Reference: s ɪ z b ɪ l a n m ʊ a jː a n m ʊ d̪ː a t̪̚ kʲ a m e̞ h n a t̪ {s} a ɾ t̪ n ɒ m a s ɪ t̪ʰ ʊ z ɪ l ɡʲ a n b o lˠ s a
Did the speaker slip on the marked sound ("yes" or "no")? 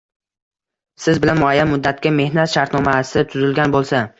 yes